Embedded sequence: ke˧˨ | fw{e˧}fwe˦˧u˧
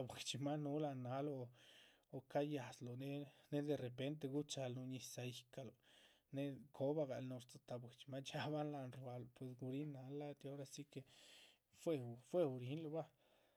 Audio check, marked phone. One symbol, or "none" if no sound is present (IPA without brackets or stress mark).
e˧